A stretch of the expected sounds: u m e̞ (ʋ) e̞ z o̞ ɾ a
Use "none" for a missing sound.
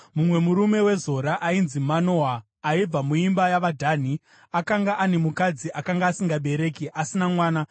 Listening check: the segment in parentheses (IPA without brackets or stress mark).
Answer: w